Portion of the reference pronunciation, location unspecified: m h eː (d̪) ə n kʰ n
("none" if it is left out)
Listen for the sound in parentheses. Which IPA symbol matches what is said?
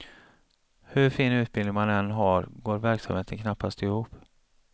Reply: t̪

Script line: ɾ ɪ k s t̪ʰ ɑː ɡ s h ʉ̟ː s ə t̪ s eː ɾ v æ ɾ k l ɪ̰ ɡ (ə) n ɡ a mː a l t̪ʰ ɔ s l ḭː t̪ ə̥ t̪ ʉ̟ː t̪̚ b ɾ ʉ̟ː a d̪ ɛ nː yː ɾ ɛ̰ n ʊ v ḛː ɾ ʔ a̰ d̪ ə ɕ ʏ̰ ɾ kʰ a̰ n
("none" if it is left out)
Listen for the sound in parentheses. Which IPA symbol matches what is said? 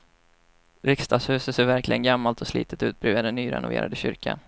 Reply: ə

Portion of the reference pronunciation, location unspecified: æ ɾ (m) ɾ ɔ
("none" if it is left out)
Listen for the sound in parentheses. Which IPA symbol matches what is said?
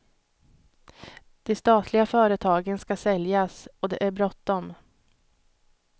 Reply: b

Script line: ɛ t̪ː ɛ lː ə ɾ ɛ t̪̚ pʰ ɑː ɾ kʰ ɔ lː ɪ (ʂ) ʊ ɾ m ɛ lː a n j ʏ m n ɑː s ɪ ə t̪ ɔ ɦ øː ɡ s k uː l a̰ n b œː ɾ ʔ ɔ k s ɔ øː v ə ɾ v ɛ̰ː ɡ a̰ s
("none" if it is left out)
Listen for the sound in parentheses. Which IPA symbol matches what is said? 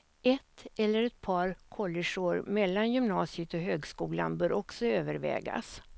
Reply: ʂ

